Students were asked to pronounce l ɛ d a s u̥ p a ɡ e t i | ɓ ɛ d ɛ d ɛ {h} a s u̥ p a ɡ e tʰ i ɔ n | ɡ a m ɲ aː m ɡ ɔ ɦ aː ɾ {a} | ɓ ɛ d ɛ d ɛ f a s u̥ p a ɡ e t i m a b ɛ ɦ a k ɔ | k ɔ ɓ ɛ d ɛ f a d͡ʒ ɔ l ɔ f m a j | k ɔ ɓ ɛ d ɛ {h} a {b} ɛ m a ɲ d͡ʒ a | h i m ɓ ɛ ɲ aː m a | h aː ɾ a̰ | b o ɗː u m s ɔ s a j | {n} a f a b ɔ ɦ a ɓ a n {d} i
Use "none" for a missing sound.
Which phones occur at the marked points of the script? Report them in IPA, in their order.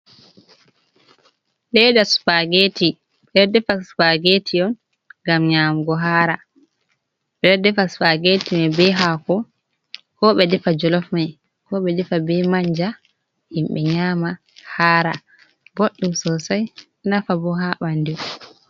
f, a, f, b, n, d

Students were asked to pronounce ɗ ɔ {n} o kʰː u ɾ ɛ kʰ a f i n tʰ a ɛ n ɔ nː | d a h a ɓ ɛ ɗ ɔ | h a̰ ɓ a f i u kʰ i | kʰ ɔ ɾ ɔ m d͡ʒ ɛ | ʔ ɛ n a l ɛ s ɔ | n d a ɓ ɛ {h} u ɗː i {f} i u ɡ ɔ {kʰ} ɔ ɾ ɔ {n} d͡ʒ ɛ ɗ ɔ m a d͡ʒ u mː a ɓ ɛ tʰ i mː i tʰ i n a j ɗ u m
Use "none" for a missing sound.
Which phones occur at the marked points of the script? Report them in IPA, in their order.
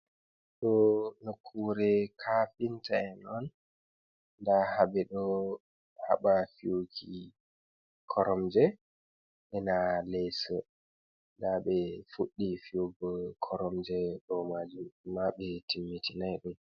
n, f, f, kʰ, m

